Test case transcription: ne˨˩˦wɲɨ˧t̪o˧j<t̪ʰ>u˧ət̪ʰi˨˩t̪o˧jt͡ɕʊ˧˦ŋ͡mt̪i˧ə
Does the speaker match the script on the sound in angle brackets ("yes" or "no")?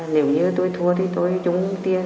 yes